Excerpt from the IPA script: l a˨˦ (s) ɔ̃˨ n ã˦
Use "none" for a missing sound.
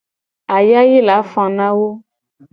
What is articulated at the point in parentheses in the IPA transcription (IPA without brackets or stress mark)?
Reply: f